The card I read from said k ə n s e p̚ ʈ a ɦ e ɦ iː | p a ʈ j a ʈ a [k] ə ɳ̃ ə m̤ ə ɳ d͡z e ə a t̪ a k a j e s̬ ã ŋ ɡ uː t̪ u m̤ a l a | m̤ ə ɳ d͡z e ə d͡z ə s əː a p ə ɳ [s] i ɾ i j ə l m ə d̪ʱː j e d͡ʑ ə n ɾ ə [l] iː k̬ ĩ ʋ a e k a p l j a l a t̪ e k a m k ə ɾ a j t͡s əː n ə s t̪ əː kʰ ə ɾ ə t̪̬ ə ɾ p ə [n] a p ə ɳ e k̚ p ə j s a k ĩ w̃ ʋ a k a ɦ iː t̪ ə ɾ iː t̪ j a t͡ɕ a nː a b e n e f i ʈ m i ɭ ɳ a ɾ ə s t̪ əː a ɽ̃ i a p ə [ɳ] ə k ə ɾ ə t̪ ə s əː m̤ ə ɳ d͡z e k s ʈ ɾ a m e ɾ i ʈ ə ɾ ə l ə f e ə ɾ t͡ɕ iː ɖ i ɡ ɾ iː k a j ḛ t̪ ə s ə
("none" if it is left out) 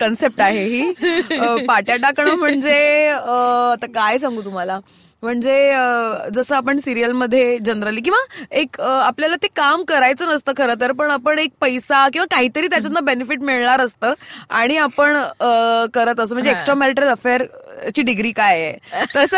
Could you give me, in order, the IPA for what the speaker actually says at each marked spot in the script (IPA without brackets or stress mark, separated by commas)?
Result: k, s, l, ɳ, ɳ